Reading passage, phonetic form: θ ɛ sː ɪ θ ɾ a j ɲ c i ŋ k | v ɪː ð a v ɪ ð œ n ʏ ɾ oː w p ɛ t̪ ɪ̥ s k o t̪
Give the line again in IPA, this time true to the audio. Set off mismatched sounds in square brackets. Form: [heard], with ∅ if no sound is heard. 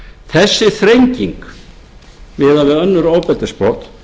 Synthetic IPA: θ ɛ sː ɪ θ ɾ [e] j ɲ c i ŋ k | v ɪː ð a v ɪ ð œ [nː] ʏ ɾ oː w p ɛ t̪ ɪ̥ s [p] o t̪